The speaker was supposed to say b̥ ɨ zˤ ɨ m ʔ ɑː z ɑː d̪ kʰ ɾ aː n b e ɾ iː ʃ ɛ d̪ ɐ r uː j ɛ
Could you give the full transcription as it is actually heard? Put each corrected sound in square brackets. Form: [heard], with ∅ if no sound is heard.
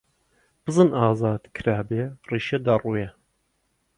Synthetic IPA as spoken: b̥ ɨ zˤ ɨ [n] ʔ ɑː z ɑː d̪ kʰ ɾ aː [∅] b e [r] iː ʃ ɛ d̪ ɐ r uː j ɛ